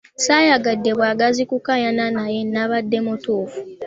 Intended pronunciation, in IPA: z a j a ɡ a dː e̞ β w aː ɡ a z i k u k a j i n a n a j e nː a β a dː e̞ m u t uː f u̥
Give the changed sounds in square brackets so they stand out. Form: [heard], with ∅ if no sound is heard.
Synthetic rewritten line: [s] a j a ɡ a dː e̞ β w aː ɡ a z i k u k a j [a] n a n a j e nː a β a dː e̞ m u t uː f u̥